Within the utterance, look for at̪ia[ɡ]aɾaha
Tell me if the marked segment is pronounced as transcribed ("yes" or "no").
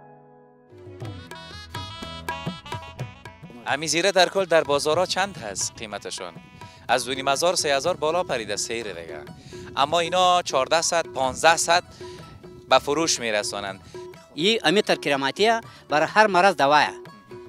no